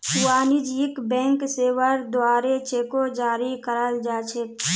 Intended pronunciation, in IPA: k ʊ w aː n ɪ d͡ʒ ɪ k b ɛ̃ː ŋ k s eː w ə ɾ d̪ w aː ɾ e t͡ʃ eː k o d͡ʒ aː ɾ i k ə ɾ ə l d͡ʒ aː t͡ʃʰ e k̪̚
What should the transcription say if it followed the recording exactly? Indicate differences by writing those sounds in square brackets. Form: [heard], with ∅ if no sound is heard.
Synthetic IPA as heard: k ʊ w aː n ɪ d͡ʒ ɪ k b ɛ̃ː ŋ k s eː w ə ɾ d̪ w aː ɾ e t͡ʃ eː k o d͡ʒ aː ɾ i k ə ɾ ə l d͡ʒ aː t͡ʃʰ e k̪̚